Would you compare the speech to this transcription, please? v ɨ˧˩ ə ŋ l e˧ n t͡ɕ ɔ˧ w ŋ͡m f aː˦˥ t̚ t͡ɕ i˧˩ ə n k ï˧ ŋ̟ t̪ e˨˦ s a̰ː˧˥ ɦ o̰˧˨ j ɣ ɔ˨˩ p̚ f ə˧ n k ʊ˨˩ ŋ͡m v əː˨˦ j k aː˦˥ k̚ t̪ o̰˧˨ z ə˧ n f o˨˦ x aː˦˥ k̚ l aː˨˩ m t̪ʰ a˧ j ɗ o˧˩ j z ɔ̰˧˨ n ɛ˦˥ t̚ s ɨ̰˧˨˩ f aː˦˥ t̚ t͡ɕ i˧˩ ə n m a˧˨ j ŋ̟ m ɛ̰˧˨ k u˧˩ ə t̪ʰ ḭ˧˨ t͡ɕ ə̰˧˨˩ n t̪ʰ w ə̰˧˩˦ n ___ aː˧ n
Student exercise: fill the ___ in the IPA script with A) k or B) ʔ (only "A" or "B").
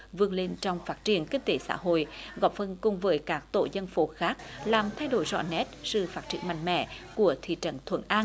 B